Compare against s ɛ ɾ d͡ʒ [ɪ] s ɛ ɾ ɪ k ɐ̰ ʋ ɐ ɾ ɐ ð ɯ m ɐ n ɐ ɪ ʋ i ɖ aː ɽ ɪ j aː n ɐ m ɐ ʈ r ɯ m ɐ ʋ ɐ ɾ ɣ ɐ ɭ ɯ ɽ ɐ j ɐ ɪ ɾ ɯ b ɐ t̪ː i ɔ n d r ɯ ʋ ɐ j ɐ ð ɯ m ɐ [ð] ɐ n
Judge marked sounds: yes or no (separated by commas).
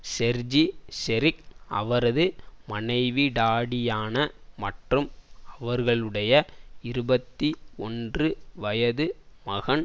no, no